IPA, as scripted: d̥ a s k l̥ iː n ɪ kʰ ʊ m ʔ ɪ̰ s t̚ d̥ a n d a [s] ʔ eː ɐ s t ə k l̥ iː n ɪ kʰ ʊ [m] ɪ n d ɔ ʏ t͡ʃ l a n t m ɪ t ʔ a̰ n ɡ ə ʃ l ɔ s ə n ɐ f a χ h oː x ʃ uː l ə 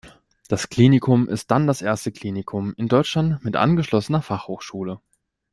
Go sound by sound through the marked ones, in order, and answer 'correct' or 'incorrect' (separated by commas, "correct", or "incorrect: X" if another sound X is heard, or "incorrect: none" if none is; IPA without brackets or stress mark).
correct, correct